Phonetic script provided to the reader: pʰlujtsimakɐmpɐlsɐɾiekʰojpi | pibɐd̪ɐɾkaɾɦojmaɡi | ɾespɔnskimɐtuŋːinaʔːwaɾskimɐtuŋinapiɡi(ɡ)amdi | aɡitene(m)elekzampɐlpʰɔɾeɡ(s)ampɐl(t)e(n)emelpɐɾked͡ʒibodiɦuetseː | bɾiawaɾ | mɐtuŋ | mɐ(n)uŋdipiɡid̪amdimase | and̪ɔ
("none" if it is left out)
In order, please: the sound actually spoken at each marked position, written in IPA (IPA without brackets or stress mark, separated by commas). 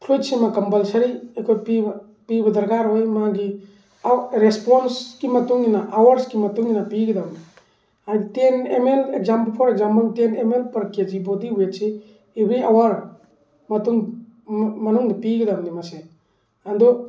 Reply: d, m, z, t, n, n